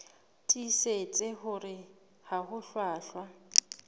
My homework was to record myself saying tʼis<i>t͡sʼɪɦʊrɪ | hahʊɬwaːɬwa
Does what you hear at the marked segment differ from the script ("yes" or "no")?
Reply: yes